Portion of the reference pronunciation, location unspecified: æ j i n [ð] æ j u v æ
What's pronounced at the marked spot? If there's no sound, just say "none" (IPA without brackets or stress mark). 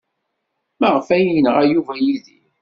ʁ